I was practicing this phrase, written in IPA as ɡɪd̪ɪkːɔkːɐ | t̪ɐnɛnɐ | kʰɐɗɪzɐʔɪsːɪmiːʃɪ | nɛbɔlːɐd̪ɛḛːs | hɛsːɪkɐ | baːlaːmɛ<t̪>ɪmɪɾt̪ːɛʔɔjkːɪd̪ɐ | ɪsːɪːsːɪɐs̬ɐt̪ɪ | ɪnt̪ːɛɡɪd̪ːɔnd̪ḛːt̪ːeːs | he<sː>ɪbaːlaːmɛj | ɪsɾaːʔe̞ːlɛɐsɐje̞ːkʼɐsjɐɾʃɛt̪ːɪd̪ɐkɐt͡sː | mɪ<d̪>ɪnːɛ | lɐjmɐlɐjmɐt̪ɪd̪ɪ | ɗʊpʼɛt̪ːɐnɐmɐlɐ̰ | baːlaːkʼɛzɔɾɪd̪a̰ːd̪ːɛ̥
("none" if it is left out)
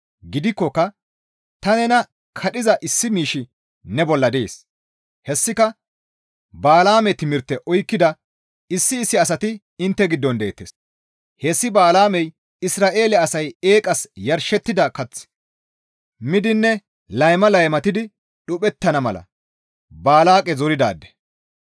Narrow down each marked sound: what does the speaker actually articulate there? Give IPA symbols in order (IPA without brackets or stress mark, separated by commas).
t̪, sː, d̪